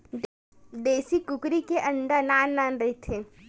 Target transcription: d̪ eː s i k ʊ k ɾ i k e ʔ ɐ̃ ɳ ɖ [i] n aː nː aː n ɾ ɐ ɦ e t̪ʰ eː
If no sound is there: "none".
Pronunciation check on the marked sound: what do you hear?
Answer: a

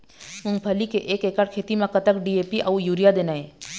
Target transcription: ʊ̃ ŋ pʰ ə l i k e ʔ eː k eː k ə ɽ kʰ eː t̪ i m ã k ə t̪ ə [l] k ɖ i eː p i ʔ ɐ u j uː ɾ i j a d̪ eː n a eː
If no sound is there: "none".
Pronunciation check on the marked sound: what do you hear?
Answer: none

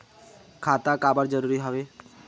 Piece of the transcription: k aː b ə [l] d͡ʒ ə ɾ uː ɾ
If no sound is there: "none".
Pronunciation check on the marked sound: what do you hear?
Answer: ɾ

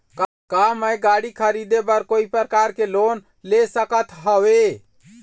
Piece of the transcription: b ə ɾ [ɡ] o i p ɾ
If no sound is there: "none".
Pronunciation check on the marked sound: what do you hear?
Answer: k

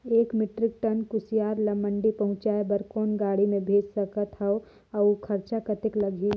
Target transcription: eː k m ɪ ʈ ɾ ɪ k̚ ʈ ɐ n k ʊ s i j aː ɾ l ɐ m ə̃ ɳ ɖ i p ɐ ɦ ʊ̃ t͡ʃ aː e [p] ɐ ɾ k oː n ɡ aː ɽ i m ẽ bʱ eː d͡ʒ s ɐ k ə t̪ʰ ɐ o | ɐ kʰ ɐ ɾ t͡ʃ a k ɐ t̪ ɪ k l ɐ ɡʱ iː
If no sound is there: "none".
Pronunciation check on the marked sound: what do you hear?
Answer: b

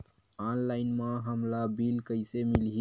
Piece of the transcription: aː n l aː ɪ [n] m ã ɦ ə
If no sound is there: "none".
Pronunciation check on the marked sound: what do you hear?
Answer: n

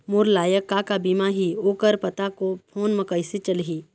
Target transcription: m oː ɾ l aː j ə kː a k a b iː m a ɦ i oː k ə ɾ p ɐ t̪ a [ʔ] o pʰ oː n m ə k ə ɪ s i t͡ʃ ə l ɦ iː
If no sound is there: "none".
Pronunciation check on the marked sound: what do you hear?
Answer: k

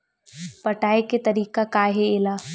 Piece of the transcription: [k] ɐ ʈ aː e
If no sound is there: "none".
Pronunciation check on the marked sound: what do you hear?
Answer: p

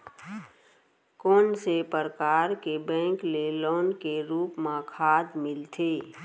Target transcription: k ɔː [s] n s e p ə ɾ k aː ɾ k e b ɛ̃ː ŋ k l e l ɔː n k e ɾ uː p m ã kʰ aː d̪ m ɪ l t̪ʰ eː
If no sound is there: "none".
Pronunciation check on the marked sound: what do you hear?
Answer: none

